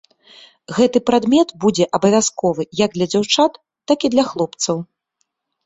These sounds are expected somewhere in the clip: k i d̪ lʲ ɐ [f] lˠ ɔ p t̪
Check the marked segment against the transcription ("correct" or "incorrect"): incorrect